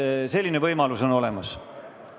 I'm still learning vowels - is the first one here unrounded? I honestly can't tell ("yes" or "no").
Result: yes